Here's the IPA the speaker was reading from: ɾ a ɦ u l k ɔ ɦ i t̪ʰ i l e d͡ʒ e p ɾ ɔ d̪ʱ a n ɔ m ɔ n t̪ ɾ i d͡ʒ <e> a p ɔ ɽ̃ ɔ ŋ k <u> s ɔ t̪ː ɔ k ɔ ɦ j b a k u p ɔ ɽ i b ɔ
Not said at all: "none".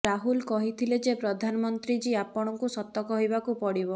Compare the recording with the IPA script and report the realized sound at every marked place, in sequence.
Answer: i, u

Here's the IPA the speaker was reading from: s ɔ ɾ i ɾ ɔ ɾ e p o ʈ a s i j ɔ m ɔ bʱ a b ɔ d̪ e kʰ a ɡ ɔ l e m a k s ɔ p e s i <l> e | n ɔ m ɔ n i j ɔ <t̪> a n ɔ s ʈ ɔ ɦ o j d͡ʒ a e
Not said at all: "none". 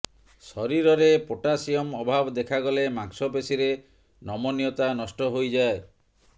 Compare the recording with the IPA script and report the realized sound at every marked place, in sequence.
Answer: ɾ, t̪

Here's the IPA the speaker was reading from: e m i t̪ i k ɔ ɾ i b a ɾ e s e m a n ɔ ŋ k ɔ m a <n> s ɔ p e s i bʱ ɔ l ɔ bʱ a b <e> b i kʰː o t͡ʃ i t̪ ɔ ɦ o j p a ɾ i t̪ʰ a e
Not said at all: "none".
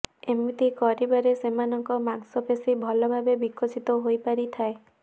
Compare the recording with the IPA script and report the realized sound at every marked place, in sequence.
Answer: ŋ, e

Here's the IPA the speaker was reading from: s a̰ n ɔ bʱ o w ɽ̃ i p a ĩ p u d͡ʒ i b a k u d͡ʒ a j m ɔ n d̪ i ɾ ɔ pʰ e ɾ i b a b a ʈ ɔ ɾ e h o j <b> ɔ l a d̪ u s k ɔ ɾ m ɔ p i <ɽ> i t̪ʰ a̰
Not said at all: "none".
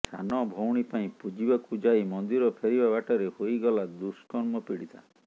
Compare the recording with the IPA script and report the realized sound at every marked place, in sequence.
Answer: ɡ, ɽ

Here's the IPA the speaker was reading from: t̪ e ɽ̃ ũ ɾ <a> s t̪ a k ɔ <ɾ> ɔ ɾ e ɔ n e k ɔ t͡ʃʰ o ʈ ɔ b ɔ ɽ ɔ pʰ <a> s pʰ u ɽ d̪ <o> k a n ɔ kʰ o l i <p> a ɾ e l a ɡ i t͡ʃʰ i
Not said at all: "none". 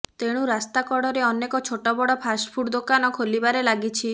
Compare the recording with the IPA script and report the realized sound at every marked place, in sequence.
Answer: a, ɽ, a, o, b

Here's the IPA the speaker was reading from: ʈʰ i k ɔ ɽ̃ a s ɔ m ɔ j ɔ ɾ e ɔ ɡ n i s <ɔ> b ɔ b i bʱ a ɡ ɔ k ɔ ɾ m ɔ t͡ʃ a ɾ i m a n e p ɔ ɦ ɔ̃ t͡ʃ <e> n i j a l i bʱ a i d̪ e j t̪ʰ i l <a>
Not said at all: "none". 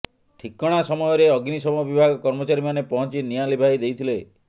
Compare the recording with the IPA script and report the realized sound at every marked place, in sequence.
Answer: ɔ, i, e

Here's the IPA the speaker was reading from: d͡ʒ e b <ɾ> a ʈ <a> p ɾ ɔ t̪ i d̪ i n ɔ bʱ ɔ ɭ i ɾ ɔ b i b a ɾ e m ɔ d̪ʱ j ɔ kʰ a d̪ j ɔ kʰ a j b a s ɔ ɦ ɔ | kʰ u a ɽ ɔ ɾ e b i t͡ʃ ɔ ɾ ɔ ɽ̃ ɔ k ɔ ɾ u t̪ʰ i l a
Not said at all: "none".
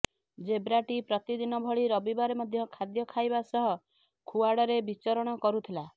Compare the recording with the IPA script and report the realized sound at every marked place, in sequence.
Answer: ɾ, i

